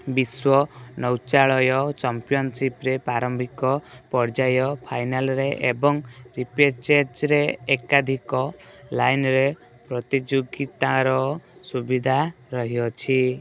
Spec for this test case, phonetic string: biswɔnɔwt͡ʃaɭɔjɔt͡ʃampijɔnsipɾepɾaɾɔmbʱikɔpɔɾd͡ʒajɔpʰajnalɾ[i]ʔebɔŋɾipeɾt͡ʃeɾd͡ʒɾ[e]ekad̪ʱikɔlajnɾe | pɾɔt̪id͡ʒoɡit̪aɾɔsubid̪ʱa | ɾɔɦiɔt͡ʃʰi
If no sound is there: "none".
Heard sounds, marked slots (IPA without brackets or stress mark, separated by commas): e, e